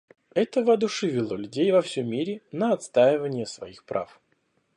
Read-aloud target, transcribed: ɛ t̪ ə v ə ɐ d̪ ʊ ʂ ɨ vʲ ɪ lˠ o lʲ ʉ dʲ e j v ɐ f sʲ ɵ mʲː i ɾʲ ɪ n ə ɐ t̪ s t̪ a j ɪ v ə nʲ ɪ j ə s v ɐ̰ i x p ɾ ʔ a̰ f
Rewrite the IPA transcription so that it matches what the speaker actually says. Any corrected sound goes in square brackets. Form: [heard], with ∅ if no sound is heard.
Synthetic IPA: ɛ t̪ ə v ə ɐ d̪ ʊ ʂ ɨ vʲ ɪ lˠ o lʲ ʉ dʲ e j v ɐ f sʲ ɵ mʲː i ɾʲ ɪ n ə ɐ t̪ s t̪ a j ɪ v ə nʲ ɪ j ə s v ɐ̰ i x p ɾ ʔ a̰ f